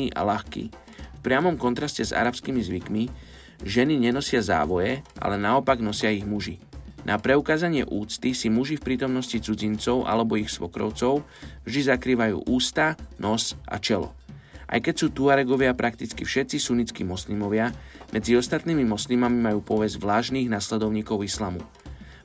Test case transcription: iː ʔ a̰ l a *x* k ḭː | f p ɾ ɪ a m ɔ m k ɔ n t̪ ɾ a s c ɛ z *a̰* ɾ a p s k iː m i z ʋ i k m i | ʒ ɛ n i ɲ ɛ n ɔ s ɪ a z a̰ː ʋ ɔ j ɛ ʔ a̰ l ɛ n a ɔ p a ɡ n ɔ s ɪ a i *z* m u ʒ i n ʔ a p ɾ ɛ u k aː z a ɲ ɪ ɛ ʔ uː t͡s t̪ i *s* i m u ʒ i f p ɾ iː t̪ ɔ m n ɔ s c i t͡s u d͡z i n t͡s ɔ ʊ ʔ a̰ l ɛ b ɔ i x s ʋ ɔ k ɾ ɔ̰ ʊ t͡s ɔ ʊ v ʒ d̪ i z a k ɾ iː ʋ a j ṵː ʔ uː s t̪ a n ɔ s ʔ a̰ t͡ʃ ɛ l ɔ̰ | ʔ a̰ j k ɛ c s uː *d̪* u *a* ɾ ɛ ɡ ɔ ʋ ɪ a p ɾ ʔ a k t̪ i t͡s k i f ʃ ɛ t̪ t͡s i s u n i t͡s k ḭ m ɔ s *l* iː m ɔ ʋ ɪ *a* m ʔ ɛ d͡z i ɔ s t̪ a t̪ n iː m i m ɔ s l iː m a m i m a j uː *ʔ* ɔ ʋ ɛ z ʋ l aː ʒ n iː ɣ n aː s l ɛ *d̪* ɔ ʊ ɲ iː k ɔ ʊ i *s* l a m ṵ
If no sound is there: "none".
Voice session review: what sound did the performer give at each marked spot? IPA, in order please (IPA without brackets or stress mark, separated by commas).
x, a̰, ɣ, s, t̪, a, l, a, p, d̪, s